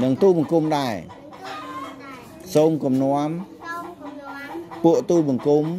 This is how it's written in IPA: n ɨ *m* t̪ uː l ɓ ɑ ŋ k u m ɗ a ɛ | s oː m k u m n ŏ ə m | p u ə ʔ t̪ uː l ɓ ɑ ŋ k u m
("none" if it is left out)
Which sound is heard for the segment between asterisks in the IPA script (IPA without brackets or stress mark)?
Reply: ŋ